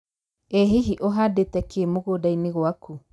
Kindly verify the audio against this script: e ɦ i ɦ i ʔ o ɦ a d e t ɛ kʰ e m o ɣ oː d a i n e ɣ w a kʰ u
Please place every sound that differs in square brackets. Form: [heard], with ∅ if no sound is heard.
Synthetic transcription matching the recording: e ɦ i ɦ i ʔ o ɦ a d e t ɛ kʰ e m o ɣ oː d a i n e ɣ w a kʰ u